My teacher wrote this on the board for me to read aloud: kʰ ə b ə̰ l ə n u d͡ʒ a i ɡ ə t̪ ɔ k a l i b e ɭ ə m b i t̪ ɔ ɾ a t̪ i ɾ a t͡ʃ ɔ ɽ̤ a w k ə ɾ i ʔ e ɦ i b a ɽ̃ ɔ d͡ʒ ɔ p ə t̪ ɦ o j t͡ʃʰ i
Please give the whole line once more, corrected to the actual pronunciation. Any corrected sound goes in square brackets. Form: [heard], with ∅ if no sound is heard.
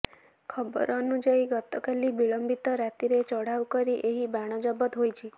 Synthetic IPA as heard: kʰ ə b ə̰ [ɾ] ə n u d͡ʒ a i ɡ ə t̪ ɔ k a l i b [i] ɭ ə m b i t̪ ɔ ɾ a t̪ i ɾ [e] t͡ʃ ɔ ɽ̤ a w k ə ɾ i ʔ e ɦ i b a ɽ̃ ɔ d͡ʒ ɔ [b] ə t̪ ɦ o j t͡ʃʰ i